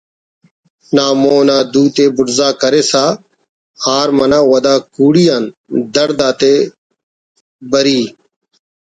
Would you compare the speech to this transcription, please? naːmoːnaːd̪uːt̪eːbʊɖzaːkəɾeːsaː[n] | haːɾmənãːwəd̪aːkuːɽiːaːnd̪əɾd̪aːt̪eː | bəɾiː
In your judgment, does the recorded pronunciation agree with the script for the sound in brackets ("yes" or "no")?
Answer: no